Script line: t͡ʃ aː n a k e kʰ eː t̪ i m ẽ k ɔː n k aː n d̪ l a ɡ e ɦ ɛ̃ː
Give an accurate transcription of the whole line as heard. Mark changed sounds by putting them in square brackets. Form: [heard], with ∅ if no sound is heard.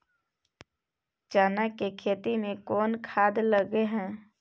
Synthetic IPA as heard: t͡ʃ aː n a k e kʰ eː t̪ i m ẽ k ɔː n [kʰ] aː [∅] d̪ l [ə] ɡ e ɦ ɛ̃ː